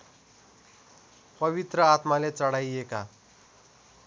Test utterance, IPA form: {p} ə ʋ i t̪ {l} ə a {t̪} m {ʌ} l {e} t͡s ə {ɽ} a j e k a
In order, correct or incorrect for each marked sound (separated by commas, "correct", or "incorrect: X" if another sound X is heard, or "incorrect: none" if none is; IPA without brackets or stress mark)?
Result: correct, incorrect: ɾ, correct, incorrect: a, correct, correct